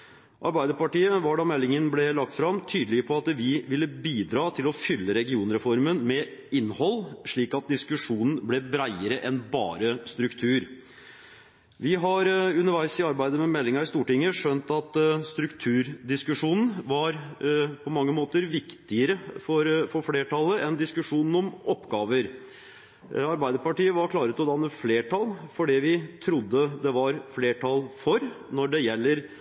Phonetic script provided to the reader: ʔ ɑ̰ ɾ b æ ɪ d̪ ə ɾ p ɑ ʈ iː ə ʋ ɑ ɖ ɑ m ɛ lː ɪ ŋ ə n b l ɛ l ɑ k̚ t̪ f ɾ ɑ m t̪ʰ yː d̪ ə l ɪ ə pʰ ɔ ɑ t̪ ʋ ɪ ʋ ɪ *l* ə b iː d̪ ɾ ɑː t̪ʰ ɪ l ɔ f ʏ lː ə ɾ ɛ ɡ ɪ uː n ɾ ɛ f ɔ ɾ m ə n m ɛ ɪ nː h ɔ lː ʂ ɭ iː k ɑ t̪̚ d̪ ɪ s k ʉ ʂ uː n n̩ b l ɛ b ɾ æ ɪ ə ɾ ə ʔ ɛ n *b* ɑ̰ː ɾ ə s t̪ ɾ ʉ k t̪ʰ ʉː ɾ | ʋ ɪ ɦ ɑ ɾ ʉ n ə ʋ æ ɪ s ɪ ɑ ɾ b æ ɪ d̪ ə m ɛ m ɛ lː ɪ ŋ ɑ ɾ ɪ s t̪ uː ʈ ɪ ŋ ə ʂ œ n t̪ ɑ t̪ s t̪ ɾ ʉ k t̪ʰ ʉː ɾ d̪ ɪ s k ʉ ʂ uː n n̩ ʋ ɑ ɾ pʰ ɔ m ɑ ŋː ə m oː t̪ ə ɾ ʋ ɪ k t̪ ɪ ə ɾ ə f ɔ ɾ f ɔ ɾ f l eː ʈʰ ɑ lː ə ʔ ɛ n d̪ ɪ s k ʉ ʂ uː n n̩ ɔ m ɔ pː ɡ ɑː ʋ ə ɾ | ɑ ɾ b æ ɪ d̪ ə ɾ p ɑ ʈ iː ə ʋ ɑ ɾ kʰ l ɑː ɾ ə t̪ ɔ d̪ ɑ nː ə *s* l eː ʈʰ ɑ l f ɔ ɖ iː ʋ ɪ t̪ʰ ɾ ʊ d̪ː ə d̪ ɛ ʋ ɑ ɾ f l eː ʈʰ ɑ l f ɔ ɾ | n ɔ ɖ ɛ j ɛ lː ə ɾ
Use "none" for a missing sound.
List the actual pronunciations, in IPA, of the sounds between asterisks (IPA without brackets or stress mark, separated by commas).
lː, b, f